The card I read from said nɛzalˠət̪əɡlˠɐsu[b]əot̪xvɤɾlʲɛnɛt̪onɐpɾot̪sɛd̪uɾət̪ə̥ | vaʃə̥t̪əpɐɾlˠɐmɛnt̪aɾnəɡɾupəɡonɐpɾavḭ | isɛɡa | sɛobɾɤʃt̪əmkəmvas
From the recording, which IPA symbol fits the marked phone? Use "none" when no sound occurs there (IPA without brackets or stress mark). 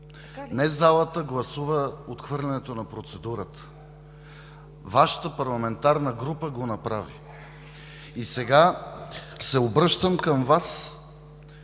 v